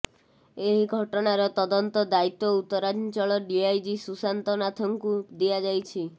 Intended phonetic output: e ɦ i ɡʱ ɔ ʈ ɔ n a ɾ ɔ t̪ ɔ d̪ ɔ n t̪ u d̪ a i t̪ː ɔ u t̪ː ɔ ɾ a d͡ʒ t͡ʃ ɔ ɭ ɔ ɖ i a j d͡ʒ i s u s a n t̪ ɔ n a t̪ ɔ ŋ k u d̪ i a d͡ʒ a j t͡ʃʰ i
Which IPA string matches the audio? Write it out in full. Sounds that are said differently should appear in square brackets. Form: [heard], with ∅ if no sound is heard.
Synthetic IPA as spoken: e ɦ i ɡʱ ɔ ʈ ɔ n a ɾ ɔ t̪ ɔ d̪ ɔ n t̪ [ɔ] d̪ a i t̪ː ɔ u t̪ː ɔ ɾ a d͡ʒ t͡ʃ ɔ ɭ ɔ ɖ i a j d͡ʒ i s u s a n t̪ ɔ n a [t̪ʰ] ɔ ŋ k u d̪ i a d͡ʒ a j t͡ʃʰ i